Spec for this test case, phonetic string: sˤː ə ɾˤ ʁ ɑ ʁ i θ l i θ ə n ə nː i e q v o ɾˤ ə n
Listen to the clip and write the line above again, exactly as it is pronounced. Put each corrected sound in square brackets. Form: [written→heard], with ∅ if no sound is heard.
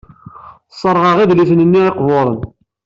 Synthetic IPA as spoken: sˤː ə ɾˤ ʁ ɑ ʁ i [θ→ð] l i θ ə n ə nː i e q v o ɾˤ ə n